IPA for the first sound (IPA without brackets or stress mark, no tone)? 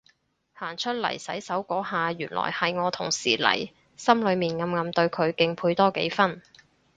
h